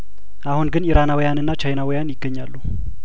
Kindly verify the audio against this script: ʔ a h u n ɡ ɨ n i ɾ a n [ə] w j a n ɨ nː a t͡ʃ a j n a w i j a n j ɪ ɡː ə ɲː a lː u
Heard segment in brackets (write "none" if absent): a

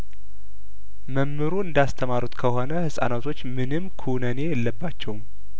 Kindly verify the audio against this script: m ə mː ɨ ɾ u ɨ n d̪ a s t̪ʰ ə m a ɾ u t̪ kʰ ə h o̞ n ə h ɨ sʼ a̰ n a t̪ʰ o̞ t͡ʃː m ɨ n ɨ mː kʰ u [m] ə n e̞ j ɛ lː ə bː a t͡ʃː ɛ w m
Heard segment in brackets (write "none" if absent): n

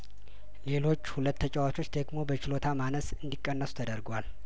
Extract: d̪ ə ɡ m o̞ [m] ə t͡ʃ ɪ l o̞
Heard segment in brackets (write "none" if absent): b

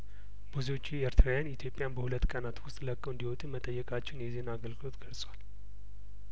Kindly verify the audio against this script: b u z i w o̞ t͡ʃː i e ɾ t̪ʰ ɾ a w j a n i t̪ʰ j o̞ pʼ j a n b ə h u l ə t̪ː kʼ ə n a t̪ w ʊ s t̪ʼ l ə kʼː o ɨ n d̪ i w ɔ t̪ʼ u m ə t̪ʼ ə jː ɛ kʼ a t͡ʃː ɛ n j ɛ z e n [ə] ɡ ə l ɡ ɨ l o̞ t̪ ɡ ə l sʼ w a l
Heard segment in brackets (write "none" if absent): a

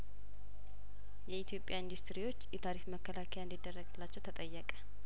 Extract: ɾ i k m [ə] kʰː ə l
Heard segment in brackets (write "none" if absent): ə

